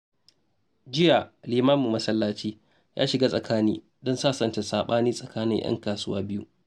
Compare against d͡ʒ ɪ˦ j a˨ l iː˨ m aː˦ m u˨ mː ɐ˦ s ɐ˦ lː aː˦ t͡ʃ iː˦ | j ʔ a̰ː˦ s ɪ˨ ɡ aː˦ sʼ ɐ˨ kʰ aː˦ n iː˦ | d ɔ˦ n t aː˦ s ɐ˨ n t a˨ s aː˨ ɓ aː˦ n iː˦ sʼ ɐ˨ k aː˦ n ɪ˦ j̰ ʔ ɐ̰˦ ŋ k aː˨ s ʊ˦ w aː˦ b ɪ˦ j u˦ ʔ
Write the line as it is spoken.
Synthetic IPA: d͡ʒ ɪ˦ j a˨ l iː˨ m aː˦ m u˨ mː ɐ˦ s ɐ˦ lː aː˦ t͡ʃ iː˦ | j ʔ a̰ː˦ ʃ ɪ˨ ɡ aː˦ sʼ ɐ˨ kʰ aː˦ n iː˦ | d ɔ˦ n s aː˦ s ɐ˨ n t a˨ s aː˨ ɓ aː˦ n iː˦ sʼ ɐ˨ k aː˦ n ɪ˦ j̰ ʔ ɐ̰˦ ŋ k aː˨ s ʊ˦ w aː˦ b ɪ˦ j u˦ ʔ

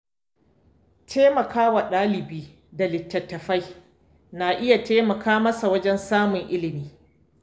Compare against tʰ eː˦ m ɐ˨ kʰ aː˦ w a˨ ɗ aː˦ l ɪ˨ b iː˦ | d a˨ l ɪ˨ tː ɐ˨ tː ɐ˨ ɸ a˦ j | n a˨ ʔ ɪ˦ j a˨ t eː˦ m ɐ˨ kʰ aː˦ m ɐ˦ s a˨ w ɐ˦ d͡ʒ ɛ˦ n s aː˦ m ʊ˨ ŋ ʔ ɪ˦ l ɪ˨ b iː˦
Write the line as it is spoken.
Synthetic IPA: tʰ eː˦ m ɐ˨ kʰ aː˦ w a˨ ɗ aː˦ l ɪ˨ b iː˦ | d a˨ l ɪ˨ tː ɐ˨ tː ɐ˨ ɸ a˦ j | n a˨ ʔ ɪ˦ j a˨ t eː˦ m ɐ˨ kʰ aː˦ m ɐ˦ s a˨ w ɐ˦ d͡ʒ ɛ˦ n s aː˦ m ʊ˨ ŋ ʔ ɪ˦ l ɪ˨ m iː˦

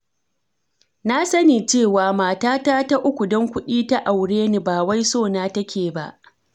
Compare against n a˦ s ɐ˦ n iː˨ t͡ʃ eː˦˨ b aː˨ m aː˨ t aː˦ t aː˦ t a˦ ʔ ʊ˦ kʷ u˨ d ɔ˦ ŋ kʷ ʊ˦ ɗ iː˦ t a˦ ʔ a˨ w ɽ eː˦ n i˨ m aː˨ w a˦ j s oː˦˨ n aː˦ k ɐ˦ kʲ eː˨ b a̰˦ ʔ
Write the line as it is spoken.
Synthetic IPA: n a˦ s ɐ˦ n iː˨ t͡ʃ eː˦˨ w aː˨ m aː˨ t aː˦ t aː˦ t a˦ ʔ ʊ˦ kʷ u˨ d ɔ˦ ŋ kʷ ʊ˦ ɗ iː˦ t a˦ ʔ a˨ w ɽ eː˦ n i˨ b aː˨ w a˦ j s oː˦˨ n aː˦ t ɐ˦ kʲ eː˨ b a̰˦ ʔ

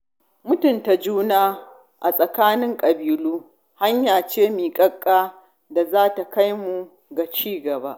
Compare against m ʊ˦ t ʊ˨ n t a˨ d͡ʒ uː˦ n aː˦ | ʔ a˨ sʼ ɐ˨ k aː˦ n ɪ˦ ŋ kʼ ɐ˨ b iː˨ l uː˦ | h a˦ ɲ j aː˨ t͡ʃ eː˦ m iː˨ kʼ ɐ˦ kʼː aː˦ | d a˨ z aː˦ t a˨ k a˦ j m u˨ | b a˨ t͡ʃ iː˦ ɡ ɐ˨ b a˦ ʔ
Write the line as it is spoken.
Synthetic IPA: m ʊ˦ t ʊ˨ n t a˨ d͡ʒ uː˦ n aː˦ | ʔ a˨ sʼ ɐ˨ k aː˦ n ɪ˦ ŋ kʼ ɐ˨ b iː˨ l uː˦ | h a˦ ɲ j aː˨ t͡ʃ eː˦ m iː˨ kʼ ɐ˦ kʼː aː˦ | d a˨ z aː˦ t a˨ k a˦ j m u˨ | ɡ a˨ t͡ʃ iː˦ ɡ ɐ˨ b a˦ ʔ

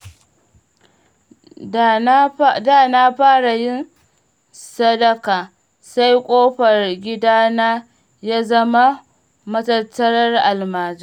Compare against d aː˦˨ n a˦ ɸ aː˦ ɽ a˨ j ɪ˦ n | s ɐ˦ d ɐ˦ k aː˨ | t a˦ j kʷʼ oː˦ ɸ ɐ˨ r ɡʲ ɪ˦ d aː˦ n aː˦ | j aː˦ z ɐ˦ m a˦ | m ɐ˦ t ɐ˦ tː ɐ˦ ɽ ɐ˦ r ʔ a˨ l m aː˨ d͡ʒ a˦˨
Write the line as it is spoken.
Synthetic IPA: d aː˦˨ n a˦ ɸ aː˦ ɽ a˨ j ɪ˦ n | s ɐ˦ d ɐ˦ k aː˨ | s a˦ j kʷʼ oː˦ ɸ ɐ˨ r ɡʲ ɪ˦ d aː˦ n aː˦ | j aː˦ z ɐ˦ m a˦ | m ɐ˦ t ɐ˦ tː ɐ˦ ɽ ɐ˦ r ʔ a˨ l m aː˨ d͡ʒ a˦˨

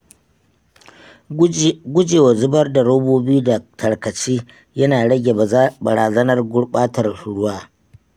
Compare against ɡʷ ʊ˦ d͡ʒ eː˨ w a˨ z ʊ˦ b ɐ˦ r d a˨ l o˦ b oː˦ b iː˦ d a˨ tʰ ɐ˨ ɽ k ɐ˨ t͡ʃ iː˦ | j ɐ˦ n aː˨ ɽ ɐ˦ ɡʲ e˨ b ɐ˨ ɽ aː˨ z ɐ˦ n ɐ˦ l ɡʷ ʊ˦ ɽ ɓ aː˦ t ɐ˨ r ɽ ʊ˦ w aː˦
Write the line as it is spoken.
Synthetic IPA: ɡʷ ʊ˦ d͡ʒ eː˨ w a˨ z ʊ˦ b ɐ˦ r d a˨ ɽ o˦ b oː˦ b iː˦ d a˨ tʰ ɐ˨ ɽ k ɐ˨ t͡ʃ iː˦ | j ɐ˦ n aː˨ ɽ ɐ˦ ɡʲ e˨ b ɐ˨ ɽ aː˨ z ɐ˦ n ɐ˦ r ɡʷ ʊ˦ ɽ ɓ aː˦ t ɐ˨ r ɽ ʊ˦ w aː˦

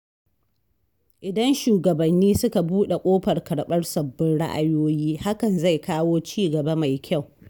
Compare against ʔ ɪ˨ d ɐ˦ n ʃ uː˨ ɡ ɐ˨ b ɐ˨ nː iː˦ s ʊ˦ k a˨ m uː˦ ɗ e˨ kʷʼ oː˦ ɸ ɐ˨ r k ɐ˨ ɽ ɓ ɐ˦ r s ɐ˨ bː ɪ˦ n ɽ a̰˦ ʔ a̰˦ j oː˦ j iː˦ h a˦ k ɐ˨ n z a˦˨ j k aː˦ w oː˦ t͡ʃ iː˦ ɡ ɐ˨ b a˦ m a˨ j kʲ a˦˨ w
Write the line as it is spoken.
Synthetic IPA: ʔ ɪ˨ d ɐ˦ n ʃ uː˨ ɡ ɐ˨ b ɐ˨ nː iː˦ s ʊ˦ k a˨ b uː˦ ɗ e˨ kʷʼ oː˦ ɸ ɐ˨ r k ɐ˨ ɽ ɓ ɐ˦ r s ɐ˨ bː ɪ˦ n ɽ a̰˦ ʔ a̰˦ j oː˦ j iː˦ h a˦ k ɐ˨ n z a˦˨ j k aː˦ w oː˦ t͡ʃ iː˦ ɡ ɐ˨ b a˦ m a˨ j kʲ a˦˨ w

